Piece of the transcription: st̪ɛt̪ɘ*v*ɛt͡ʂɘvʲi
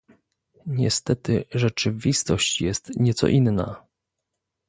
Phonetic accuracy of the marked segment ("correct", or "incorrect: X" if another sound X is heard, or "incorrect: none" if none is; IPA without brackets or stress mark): incorrect: ʐ